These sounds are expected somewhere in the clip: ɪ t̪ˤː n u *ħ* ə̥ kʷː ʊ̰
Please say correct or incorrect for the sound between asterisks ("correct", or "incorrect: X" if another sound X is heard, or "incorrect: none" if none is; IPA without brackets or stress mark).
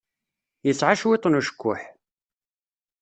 incorrect: ʃ